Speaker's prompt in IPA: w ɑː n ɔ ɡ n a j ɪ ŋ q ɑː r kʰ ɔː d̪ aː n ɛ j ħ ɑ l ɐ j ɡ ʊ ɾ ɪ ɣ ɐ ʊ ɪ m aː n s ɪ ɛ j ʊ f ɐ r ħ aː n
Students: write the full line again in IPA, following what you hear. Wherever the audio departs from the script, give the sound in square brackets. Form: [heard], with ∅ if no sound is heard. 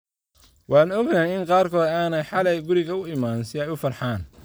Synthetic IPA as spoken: w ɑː n ɔ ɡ n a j ɪ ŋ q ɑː r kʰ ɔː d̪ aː n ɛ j ħ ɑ l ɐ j ɡ ʊ ɾ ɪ ɣ ɐ ʊ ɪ m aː n s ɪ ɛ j ʊ f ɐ r ħ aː n